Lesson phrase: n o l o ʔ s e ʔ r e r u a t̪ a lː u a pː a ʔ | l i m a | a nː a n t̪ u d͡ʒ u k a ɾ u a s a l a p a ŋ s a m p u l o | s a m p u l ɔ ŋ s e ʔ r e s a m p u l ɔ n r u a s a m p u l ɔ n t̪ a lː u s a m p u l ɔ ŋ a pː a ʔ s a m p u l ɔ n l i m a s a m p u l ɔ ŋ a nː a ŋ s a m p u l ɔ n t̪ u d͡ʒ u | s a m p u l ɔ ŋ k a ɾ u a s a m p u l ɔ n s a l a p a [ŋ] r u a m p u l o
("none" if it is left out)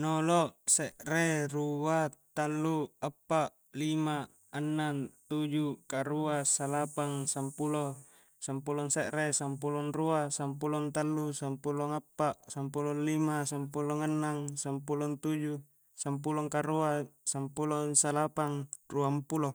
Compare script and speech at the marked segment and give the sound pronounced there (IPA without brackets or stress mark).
ŋ